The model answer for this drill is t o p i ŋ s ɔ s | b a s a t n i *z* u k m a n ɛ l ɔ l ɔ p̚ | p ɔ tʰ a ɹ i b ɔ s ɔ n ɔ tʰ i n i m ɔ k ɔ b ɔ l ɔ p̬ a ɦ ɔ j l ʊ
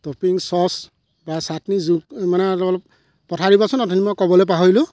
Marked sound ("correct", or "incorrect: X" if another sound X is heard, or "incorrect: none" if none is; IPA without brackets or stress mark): correct